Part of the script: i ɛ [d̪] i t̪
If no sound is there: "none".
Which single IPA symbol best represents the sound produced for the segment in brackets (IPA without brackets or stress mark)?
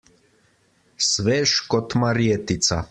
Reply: t̪